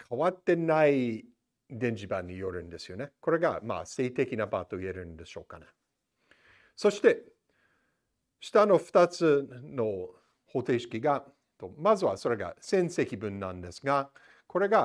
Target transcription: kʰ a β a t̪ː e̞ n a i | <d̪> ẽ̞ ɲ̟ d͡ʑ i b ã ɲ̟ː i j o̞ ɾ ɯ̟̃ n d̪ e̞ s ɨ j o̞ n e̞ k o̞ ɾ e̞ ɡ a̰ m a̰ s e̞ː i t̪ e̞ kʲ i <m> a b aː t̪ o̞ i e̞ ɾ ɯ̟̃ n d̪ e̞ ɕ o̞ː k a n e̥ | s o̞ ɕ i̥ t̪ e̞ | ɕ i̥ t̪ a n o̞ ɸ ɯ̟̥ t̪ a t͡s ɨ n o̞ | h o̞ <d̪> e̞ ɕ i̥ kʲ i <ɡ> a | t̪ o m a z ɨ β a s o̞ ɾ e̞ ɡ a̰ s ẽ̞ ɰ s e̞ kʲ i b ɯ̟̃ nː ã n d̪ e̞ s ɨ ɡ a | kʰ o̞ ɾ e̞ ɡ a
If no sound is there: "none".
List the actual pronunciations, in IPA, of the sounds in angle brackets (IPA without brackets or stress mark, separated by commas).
d̪, n, t̪, ɡ